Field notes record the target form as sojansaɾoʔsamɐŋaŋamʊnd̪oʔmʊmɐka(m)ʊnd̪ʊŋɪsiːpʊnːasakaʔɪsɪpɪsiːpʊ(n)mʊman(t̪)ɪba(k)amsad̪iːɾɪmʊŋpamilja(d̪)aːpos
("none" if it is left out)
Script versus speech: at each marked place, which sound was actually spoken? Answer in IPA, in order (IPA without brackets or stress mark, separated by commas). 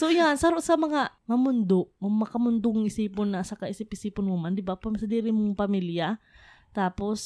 m, n, d̪, p, t̪